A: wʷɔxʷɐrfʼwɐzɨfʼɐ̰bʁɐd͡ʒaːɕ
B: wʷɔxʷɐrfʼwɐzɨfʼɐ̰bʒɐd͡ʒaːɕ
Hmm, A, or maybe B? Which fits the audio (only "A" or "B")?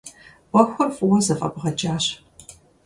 A